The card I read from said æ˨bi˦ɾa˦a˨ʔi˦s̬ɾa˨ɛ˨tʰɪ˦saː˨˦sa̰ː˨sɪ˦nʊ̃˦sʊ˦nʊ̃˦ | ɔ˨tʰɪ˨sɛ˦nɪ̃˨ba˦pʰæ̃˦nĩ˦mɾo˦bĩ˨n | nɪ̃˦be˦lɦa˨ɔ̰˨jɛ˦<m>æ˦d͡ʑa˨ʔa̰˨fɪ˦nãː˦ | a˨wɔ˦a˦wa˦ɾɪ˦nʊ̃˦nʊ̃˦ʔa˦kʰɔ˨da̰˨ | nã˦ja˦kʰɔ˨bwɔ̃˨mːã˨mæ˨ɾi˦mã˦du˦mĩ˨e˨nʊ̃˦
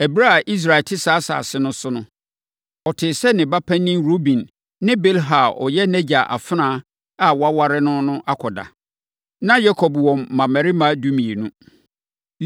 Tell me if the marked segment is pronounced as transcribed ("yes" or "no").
no